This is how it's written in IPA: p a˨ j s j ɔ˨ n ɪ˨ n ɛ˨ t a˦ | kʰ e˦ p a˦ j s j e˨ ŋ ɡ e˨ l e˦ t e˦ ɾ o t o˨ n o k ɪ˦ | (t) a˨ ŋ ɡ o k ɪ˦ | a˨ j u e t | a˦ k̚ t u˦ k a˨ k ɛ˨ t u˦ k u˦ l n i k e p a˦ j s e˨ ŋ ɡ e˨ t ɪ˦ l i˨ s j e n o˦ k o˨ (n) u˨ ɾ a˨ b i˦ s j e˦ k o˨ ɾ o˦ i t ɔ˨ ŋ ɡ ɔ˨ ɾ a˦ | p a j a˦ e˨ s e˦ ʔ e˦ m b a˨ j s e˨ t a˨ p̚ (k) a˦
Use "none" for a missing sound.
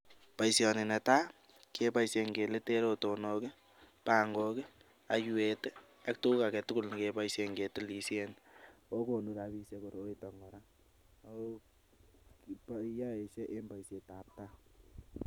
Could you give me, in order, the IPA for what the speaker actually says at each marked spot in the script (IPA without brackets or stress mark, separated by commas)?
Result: p, n, t